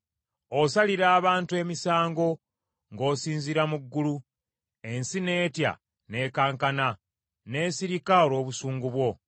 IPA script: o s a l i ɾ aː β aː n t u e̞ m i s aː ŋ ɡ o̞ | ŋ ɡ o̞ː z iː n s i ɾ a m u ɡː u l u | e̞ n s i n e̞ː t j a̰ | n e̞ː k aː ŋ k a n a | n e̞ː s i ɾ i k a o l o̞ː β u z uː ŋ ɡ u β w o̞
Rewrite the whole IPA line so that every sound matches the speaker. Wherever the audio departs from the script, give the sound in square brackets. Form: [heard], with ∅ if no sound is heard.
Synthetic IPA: o s a l i ɾ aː β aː n t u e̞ m i s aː ŋ ɡ o̞ | ŋ ɡ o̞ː [s] iː n [z] i ɾ a m u ɡː u l u | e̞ n s i n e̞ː t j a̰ | n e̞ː k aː ŋ k a n a | n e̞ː s i ɾ i k a o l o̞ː β u [s] uː ŋ ɡ u β w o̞